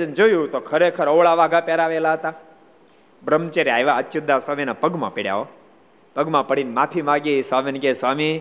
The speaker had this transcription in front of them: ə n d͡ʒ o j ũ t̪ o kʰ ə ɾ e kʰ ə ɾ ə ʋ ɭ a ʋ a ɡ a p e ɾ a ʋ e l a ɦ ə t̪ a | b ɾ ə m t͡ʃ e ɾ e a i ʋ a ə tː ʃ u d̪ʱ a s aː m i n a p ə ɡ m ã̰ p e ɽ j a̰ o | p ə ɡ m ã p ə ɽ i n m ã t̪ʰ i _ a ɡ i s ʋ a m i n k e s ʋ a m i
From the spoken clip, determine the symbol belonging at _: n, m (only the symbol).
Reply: m